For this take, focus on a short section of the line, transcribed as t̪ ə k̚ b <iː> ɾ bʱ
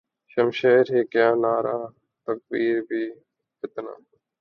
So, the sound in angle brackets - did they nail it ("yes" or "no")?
yes